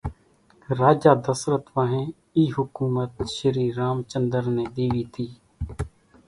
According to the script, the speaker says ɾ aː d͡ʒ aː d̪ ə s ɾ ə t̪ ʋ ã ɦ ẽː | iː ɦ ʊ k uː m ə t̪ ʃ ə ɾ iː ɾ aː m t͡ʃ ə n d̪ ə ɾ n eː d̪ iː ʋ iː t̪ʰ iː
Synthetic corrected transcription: ɾ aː d͡ʒ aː d̪ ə s ɾ ə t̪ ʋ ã ɦ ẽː | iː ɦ ʊ k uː m ə t̪ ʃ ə ɾ iː ɾ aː m t͡ʃ ə n d̪ ə ɾ n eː d̪ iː ʋ iː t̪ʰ iː